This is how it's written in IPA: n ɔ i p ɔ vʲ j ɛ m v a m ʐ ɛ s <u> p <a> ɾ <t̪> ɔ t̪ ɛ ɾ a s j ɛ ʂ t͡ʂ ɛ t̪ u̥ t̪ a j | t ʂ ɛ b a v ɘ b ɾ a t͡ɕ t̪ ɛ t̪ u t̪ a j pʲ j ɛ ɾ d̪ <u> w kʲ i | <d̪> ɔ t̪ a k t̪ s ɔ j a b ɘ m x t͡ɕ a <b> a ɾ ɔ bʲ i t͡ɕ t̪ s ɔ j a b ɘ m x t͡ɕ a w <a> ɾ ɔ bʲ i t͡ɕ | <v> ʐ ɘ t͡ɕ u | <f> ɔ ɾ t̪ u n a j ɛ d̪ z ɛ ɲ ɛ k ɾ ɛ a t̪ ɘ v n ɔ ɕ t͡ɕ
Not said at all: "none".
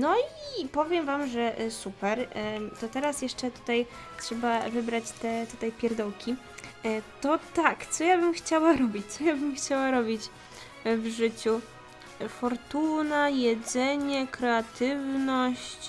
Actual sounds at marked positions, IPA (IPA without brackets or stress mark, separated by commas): u, ɛ, t̪, ɔ, t̪, w, a, v, f